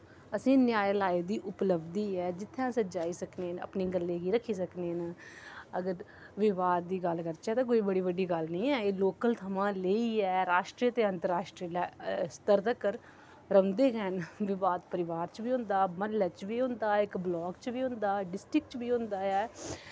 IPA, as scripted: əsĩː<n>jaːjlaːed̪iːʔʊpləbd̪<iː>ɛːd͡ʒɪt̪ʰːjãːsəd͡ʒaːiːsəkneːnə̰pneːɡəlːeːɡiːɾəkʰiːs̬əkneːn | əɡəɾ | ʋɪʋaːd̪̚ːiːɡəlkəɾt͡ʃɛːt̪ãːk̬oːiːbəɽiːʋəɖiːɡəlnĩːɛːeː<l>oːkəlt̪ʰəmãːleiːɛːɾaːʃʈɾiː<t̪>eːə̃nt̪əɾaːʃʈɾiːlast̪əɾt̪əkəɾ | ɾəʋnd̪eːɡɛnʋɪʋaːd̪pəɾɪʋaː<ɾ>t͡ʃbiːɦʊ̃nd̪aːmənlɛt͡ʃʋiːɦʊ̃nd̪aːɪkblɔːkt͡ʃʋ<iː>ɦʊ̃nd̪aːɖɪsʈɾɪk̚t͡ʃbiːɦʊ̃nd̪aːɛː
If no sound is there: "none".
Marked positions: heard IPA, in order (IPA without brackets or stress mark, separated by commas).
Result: n, iː, l, t̪, ɾ, iː